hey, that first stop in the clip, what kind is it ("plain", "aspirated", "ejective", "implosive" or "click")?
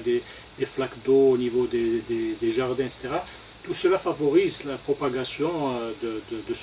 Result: plain